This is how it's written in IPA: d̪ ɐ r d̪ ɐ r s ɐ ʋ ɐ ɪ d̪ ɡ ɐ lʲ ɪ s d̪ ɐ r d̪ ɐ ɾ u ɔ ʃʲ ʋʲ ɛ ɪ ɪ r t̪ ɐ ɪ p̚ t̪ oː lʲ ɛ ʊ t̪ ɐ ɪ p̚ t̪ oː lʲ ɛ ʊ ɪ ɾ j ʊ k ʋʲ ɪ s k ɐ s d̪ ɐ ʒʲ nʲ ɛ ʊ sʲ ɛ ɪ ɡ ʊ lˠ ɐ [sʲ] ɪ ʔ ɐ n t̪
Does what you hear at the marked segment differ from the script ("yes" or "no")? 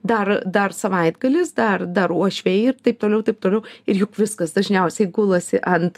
no